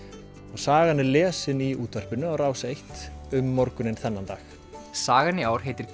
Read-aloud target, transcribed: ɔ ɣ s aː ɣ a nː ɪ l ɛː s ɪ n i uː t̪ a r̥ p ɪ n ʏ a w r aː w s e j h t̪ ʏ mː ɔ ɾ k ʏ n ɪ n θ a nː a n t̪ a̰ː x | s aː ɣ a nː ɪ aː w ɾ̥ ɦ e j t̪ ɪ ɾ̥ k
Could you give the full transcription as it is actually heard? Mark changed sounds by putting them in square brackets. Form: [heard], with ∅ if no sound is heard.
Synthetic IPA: ɔ ɣ s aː ɣ a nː ɪ l ɛː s ɪ n i uː t̪ a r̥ p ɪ n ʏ a w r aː w s e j h t̪ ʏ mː ɔ ɾ k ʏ n ɪ n θ [ɛ] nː a n t̪ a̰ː x | s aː ɣ a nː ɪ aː w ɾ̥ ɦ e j t̪ ɪ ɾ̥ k